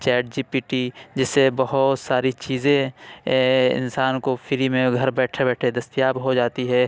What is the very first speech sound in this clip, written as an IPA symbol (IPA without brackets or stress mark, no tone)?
t͡ʃ